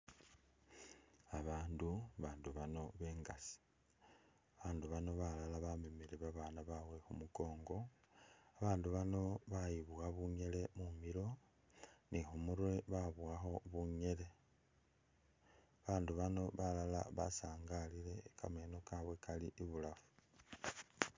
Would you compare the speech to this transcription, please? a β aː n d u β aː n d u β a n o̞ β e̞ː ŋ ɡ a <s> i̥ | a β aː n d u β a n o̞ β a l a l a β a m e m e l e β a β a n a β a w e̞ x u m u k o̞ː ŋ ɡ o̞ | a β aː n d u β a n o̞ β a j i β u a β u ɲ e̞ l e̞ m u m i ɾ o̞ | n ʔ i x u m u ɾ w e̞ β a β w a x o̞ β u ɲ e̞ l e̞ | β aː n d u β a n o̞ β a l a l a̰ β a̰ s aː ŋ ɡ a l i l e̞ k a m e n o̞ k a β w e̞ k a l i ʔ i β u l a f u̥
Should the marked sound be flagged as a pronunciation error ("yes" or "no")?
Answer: no